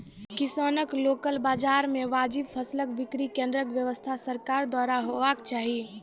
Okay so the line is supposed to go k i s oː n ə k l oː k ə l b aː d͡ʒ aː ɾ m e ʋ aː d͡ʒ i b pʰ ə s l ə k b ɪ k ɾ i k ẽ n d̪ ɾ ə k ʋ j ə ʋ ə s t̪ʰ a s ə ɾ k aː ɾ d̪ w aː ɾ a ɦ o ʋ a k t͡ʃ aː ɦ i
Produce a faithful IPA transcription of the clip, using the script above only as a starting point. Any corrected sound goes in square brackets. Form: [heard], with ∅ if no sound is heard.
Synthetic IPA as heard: k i s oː n ə k l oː k ə l b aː d͡ʒ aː ɾ m e ʋ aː d͡ʒ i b pʰ ə s l ə k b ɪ k ɾ i k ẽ n d̪ ɾ ə k ʋ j ə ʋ ə s t̪ʰ a s ə ɾ k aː ɾ d̪ w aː ɾ a ɦ o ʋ a k t͡ʃ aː ɦ i